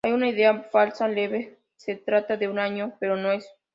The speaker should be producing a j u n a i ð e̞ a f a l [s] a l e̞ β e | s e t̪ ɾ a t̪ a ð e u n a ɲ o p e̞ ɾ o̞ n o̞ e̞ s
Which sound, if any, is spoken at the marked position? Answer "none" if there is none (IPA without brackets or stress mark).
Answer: s